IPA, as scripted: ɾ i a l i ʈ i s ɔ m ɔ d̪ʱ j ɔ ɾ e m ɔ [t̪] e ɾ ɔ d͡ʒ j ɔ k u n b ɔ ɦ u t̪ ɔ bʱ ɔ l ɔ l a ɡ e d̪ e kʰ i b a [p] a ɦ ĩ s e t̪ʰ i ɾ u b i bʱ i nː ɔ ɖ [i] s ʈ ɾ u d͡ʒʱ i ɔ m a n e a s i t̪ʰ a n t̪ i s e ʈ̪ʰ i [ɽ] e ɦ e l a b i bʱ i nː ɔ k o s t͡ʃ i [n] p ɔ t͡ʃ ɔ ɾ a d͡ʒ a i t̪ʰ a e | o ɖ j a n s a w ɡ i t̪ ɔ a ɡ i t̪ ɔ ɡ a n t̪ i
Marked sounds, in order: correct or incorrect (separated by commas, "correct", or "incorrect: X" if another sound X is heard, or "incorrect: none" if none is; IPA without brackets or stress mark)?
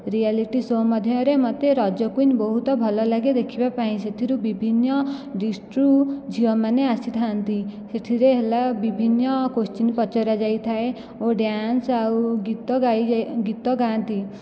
correct, correct, correct, incorrect: ɾ, correct